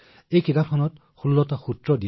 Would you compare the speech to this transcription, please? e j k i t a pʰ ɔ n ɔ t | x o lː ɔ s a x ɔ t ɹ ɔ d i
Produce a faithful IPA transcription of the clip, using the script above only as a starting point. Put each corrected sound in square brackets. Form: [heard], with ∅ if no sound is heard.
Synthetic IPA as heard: e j k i t a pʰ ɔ n ɔ t | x [u] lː ɔ [t] a x [u] t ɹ ɔ d i